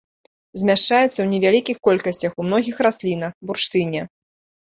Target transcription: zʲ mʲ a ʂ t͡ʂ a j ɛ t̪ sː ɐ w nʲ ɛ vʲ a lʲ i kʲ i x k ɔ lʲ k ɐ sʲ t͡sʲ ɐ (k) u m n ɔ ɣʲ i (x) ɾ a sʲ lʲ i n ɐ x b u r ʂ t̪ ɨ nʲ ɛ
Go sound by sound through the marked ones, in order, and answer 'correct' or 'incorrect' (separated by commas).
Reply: incorrect, correct